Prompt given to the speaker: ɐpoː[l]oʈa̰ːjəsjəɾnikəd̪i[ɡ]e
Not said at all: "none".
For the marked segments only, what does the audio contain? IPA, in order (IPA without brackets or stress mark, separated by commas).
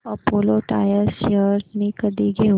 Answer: l, ɡ